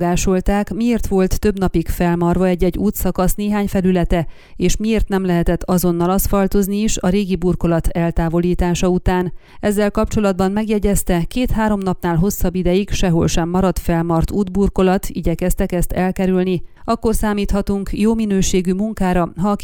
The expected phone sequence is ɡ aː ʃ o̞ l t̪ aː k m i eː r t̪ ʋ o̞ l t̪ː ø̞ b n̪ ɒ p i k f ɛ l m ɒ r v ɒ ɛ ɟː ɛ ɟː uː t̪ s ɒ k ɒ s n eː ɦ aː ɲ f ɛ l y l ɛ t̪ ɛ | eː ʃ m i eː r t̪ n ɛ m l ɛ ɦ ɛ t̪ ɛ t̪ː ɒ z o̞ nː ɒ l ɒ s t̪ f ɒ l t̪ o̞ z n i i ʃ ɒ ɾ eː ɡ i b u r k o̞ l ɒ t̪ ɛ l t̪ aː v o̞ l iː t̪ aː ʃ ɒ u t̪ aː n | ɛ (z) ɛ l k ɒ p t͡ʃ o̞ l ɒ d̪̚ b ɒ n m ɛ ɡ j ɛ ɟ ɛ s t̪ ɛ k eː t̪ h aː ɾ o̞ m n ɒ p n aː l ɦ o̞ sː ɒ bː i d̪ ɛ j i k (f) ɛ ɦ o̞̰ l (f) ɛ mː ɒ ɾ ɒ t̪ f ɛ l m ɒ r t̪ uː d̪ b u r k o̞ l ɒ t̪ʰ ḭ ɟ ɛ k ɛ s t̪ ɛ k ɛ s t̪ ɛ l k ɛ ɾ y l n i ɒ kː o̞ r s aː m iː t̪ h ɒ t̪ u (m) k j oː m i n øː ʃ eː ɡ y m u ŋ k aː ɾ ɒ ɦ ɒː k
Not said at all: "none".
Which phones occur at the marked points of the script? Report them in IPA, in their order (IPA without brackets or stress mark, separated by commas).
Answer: zː, ʃ, ʃ, ŋ